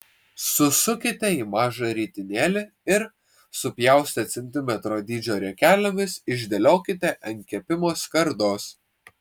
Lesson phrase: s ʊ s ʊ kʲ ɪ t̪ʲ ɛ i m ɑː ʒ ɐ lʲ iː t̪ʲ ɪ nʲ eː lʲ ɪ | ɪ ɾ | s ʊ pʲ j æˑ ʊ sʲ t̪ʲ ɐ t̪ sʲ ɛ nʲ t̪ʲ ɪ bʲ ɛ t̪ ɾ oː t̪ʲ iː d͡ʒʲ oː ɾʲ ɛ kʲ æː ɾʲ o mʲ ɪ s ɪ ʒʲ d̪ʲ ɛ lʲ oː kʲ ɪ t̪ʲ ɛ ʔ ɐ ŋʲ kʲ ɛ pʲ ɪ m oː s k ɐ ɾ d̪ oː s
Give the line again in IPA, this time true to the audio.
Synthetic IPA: s ʊ s ʊ kʲ ɪ t̪ʲ ɛ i m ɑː ʒ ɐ ɾʲ iː t̪ʲ ɪ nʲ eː lʲ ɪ | ɪ ɾ | s ʊ pʲ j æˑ ʊ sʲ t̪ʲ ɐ t̪ sʲ ɛ nʲ t̪ʲ ɪ mʲ ɛ t̪ ɾ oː d̪ʲ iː d͡ʒʲ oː ɾʲ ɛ kʲ æː lʲ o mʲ ɪ s ɪ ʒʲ d̪ʲ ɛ lʲ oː kʲ ɪ t̪ʲ ɛ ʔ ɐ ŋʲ kʲ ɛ pʲ ɪ m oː s k ɐ ɾ d̪ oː s